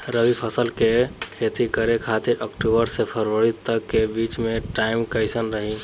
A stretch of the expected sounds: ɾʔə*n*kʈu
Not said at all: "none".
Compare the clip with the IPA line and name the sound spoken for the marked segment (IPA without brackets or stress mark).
none